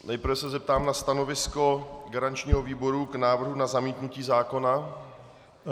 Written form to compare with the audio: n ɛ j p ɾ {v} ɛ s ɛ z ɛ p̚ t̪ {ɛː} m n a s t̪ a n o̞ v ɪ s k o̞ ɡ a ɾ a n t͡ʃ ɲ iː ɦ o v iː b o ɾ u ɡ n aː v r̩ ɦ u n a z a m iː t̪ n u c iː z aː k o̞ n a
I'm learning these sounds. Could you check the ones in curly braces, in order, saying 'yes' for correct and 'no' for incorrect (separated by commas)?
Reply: yes, no